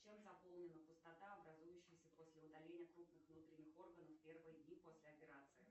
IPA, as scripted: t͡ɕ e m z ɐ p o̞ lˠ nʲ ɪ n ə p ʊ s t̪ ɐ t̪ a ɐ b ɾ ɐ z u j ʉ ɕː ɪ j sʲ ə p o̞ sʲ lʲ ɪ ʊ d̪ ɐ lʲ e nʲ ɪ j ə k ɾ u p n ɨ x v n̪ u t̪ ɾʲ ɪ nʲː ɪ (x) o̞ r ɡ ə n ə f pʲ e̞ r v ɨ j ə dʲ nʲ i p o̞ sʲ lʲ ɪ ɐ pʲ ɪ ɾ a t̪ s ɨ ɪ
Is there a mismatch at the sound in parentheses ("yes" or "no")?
no